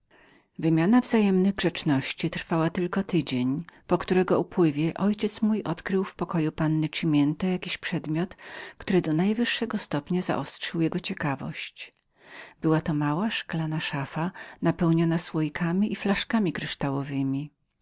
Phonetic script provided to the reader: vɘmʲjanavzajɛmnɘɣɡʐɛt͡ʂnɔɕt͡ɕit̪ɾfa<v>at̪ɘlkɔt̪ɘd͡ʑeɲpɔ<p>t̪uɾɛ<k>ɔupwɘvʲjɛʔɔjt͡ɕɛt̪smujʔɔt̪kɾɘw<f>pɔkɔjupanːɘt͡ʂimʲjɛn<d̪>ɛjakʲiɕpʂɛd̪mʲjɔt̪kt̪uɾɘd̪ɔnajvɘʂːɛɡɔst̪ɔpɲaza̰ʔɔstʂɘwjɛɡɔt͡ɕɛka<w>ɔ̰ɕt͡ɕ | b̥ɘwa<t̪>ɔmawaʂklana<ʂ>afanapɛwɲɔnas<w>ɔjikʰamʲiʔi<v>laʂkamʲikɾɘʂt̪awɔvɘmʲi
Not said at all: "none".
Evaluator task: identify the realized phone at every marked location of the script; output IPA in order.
w, k, ɡ, f, t̪, v, t̪, ʂ, w, f

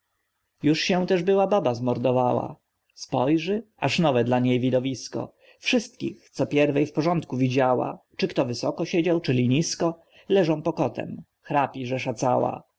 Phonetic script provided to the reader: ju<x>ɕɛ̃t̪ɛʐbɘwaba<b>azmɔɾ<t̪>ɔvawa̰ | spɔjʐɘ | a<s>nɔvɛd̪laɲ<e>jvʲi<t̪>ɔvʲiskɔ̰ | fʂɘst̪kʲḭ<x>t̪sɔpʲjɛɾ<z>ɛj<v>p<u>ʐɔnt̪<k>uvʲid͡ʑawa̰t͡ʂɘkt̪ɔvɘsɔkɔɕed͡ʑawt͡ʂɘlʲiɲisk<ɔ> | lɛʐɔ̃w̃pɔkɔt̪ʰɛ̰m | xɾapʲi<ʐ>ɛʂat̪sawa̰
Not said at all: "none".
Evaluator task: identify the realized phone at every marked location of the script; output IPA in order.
ʂ, b, d̪, ʂ, e, d̪, x, v, f, ɔ, k, ɔ, ʐ

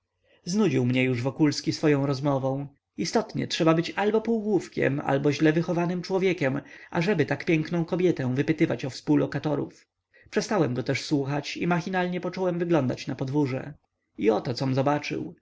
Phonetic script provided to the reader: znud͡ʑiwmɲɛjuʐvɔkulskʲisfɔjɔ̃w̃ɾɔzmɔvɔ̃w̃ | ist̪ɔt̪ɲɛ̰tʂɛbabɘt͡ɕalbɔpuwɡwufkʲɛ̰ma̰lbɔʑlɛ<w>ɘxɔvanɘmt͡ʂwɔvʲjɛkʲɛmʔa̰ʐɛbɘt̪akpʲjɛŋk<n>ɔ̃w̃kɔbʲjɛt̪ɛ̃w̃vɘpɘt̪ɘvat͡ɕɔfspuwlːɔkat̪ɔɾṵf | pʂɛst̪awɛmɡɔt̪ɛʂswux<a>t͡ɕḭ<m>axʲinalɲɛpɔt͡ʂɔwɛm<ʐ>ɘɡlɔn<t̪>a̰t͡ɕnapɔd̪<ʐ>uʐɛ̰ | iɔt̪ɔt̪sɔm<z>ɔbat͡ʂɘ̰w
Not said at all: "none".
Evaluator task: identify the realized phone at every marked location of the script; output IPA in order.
v, n, a, m, v, d̪, v, z

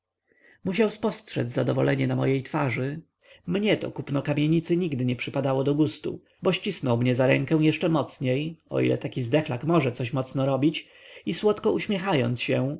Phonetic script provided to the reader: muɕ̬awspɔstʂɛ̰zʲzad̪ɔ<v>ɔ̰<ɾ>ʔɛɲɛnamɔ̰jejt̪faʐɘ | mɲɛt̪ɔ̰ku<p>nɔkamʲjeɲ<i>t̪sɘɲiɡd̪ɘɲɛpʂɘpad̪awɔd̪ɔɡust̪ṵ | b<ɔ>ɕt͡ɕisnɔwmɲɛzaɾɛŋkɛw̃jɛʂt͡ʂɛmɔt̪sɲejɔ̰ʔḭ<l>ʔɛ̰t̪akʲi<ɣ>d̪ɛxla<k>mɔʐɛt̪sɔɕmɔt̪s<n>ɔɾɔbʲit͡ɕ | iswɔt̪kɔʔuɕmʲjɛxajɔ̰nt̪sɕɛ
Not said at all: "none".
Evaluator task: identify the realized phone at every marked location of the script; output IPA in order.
v, l, p, i, ɔ, l, z, k, n

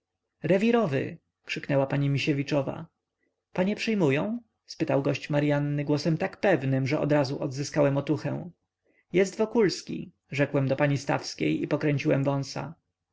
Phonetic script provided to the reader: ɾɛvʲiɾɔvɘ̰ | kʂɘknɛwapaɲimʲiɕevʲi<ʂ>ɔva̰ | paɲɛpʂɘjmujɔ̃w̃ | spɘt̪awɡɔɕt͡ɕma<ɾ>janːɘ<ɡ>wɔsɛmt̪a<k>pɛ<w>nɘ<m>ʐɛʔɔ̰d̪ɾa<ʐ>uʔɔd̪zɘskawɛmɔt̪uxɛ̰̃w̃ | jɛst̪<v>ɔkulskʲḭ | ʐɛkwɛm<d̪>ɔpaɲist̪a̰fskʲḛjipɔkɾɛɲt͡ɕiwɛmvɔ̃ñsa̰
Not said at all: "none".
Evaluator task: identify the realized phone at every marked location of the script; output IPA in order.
t͡ʂ, ɾ, ɡ, k, v, m, z, v, d̪

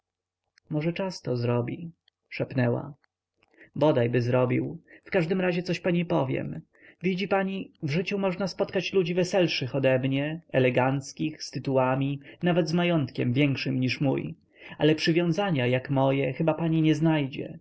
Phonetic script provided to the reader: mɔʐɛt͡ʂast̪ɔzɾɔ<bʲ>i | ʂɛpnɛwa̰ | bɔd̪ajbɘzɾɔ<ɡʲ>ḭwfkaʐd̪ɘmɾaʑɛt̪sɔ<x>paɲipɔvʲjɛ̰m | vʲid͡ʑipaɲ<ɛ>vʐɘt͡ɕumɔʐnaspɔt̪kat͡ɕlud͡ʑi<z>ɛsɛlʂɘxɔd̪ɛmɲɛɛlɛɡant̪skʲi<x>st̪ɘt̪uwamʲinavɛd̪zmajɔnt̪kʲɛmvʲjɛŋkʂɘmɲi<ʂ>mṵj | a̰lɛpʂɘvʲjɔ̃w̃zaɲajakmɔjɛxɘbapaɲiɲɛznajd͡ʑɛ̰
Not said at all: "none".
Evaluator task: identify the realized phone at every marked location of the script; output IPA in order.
bʲ, bʲ, ɕ, i, v, x, ʂ

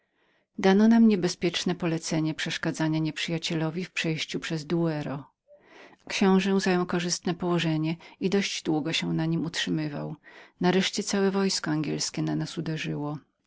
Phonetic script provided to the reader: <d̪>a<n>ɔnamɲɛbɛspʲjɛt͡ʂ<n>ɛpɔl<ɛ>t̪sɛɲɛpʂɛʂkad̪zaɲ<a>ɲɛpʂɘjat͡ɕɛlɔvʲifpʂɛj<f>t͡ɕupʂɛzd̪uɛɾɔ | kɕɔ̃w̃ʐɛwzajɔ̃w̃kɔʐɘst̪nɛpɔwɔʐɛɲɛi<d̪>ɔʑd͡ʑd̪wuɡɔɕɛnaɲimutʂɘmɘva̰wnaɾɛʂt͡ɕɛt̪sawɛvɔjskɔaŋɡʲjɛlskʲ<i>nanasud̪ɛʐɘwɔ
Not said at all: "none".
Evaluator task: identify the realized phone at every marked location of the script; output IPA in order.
d̪, n, n, ɛ, a, ɕ, d̪, ɛ

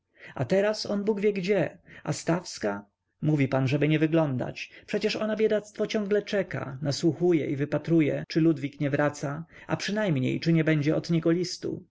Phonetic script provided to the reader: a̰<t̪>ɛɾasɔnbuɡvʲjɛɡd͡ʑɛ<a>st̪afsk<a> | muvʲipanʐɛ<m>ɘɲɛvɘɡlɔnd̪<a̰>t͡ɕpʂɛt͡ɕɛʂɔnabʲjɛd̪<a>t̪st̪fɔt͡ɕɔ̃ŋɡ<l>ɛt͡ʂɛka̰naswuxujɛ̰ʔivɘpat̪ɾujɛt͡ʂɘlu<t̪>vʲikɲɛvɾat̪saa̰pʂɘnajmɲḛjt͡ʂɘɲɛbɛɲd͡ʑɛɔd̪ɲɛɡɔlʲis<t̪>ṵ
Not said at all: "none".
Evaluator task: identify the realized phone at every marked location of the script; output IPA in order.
t̪, a, a, b, a̰, a, l, d̪, t̪

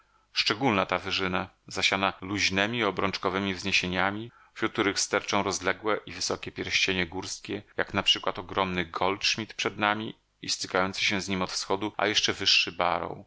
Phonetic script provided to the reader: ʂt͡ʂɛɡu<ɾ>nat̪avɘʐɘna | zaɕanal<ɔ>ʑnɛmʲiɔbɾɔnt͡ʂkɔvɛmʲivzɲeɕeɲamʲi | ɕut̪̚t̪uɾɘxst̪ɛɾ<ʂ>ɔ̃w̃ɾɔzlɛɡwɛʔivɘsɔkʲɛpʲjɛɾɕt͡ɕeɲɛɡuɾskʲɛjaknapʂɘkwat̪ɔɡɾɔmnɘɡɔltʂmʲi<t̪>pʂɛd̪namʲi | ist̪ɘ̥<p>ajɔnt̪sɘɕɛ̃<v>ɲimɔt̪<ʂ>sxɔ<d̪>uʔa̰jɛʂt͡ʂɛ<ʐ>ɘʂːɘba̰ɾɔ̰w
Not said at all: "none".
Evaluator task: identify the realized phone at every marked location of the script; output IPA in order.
l, u, t͡ʂ, t̪, k, z, f, d̪, v

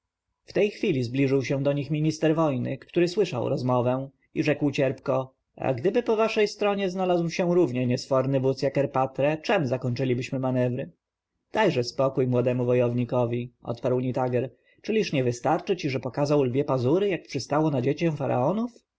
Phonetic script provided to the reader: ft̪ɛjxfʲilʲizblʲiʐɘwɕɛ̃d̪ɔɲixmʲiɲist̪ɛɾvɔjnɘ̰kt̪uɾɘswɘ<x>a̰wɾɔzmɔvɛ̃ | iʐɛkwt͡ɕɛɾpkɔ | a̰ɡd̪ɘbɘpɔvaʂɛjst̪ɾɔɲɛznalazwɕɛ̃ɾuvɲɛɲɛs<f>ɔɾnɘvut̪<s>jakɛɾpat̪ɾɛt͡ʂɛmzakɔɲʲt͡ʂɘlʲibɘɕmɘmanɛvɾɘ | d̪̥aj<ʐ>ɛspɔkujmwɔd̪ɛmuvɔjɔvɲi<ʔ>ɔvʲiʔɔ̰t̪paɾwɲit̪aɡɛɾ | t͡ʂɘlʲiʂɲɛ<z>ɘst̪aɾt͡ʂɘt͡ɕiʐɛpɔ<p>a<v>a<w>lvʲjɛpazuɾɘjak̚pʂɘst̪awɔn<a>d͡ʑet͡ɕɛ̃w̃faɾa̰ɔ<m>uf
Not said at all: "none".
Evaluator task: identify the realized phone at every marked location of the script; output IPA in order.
ʂ, f, s, ʐ, k, v, k, z, w, a, n

